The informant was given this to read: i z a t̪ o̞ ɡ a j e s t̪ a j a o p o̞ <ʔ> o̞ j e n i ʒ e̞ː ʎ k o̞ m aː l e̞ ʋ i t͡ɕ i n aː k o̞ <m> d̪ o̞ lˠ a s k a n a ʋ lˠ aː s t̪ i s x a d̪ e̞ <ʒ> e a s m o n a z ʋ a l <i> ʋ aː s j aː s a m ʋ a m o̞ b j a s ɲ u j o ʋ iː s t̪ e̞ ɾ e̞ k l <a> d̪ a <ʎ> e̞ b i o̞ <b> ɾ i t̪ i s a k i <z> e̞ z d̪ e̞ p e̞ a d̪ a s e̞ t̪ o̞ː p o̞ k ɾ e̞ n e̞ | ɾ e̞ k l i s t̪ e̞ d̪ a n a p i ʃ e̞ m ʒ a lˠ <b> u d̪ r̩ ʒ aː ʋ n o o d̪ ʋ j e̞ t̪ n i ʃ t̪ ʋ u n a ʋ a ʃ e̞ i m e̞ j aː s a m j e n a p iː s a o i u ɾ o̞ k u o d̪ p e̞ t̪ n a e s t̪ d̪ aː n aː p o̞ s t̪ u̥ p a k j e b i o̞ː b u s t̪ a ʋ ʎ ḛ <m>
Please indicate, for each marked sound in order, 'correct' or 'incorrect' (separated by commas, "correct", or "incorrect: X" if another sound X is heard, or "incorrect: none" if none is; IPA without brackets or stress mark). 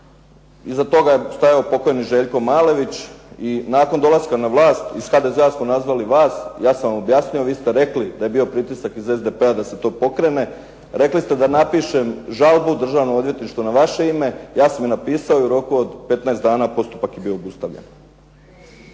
incorrect: k, incorrect: n, incorrect: z, correct, incorrect: i, incorrect: j, incorrect: p, correct, correct, incorrect: n